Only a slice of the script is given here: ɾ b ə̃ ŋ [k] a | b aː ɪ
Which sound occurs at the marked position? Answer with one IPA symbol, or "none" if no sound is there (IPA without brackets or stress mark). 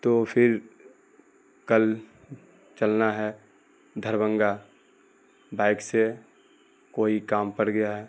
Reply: ɡ